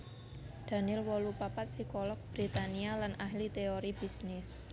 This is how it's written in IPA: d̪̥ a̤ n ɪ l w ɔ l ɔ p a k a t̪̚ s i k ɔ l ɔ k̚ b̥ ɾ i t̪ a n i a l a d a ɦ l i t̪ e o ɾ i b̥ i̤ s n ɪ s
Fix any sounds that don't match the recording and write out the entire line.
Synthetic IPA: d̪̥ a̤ n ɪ l w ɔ l u p a p a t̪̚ s i k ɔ l ɔ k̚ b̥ ɾ i t̪ a n i a l a n a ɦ l i t̪ e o ɾ i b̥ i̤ s n ɪ s